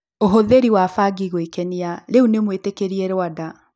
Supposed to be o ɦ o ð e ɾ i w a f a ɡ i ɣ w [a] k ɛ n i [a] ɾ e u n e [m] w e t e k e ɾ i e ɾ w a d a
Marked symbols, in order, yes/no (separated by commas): no, yes, yes